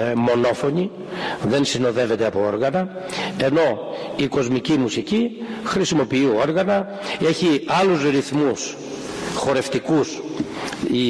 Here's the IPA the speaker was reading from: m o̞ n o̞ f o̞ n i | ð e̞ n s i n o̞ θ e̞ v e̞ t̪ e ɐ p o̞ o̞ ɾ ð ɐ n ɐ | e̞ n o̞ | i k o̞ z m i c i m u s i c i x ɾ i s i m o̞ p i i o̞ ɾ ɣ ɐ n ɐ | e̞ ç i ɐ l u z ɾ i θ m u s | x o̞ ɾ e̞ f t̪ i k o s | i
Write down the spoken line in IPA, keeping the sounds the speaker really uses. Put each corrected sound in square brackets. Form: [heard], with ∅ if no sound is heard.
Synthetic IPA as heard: m o̞ n o̞ f o̞ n i | ð e̞ n s i n o̞ [ð] e̞ v e̞ t̪ e ɐ p o̞ o̞ ɾ [ɣ] ɐ n ɐ | e̞ n o̞ | i k o̞ z m i c i m u s i c i x ɾ i s i m o̞ p i i o̞ ɾ ɣ ɐ n ɐ | e̞ ç i ɐ l u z ɾ i θ m u s | x o̞ ɾ e̞ f t̪ i k [u] s | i